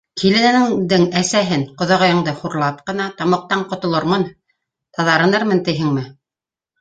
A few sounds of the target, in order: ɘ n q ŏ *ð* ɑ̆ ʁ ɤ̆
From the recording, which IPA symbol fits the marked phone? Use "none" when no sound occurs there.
ð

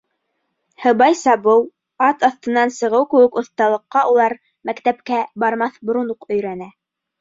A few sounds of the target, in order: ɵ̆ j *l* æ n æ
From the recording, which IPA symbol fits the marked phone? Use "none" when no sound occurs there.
ɾ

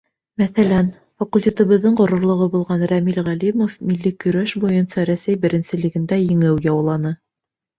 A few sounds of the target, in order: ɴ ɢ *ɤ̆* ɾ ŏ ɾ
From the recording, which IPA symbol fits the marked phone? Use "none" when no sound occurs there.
ŏ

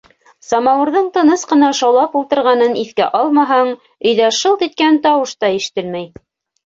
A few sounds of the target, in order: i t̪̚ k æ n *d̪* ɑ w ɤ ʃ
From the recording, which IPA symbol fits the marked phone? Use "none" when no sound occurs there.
t̪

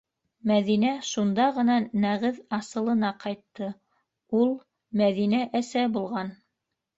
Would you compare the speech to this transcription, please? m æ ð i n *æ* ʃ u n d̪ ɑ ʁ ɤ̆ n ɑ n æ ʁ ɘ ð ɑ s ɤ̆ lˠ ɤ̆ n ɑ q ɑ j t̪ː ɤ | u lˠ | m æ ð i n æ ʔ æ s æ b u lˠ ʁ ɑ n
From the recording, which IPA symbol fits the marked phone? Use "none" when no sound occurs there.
æ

